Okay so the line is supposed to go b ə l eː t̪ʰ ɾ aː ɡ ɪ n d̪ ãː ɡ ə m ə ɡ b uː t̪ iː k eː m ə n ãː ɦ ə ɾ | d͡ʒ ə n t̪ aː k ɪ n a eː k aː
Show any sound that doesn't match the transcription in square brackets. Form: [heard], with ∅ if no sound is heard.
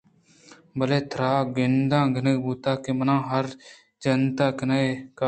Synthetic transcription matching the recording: b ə l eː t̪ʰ ɾ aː ɡ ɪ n d̪ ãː ɡ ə [n] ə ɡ b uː t̪ [aː] k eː m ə n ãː ɦ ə ɾ | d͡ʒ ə n t̪ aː k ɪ n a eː k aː